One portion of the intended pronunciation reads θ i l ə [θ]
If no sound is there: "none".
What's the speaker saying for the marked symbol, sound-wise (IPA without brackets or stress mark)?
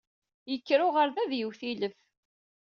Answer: f